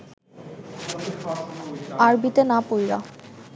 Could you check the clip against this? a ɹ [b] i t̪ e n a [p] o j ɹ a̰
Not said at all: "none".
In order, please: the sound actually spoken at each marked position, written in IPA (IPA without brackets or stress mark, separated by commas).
b, p